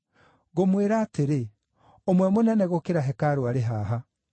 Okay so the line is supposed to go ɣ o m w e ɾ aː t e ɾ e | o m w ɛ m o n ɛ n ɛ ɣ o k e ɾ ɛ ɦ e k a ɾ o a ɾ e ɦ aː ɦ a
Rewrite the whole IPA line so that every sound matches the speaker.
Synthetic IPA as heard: ɣ o m w e ɾ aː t e ɾ e | o m w ɛ m o n ɛ n ɛ ɣ o k e ɾ a ɦ ɛ k a ɾ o a ɾ e ɦ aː ɦ a

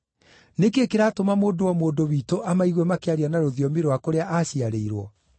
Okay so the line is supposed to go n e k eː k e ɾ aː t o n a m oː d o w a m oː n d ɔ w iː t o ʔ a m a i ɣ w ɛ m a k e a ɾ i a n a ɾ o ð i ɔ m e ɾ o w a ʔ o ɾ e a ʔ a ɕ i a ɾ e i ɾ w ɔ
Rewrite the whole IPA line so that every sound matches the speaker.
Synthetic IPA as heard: n e k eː k e ɾ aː t o m a m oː d o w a m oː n d o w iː t o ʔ a m a i ɣ w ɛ m a k e a ɾ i a n a ɾ o ð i ɔ m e ɾ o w a k o ɾ e a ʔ a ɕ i a ɾ e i ɾ w ɔ

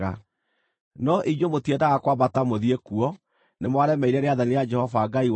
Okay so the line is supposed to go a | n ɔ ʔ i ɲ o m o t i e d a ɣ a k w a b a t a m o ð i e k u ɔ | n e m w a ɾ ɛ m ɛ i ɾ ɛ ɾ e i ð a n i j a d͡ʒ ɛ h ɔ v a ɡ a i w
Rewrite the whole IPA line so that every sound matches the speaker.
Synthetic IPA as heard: a | n ɔ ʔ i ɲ o m o t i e d a ɣ a k w a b a t a m o ð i e k u ɔ | n e m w a ɾ ɛ m ɛ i ɾ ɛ ɾ e a ð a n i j a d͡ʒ ɛ h ɔ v a ɡ a i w

